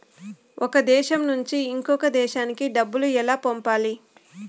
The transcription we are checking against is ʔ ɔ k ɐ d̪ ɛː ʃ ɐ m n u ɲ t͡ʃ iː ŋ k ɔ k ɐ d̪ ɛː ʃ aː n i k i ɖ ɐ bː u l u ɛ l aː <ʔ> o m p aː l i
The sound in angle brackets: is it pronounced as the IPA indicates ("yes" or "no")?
no